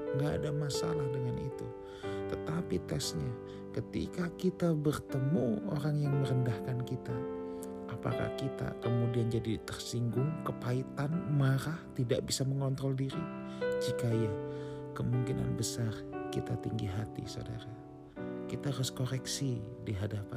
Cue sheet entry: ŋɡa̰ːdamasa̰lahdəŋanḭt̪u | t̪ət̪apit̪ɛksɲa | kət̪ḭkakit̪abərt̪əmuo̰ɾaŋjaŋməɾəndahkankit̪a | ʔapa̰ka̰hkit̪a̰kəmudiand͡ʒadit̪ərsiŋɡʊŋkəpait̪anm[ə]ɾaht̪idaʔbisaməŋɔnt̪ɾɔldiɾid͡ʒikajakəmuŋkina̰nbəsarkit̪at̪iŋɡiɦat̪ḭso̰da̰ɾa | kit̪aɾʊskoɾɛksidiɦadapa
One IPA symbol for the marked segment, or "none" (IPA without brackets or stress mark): a